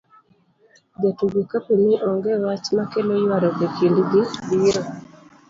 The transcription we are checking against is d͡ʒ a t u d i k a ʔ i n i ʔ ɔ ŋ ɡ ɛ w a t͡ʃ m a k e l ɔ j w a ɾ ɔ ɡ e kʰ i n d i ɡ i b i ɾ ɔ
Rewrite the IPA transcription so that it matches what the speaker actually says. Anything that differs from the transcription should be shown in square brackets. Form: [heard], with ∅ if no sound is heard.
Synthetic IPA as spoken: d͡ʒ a t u [ɡ] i k a [p] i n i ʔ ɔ ŋ ɡ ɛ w a t͡ʃ m a k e l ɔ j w a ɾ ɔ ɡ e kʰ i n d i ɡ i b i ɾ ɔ

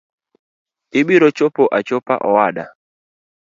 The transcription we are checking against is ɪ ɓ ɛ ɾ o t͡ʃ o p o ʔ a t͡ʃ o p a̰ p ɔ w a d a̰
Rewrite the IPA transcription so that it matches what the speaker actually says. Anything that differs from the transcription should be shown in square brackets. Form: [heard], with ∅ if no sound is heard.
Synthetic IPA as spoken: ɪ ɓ [i] ɾ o t͡ʃ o p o ʔ a t͡ʃ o p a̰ [ʔ] ɔ w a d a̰

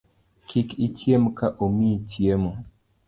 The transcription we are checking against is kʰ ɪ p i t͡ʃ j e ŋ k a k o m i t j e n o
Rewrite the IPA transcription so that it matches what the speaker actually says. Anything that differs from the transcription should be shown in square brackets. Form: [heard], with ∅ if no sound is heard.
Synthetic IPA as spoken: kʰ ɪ [k] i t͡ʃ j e [m] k a [ʔ] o m i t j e [m] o

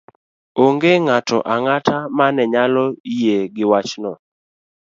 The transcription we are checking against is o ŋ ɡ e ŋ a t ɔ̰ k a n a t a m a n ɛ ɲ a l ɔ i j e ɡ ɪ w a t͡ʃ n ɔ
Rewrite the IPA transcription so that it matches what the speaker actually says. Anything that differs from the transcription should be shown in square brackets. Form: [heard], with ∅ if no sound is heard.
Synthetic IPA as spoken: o ŋ ɡ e ŋ a t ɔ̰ [ʔ] a [ŋ] a t a m a n ɛ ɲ a l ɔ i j e ɡ ɪ w a t͡ʃ n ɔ

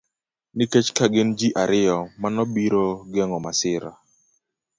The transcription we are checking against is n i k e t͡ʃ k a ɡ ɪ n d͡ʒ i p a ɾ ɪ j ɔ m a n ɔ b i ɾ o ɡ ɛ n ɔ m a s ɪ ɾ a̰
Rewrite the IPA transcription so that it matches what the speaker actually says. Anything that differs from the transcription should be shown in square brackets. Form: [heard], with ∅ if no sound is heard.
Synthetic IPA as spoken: n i k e t͡ʃ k a ɡ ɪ n d͡ʒ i [ʔ] a ɾ ɪ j ɔ m a n ɔ b i ɾ o ɡ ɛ [ŋ] ɔ m a s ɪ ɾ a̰

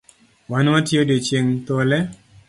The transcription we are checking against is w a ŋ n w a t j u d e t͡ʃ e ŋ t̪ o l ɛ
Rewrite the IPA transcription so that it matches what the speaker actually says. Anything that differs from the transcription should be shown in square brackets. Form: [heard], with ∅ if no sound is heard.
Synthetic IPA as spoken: w a [∅] n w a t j [o] d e t͡ʃ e ŋ t̪ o l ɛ

